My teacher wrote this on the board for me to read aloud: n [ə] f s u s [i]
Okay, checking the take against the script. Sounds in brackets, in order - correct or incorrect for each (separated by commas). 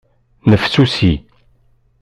correct, correct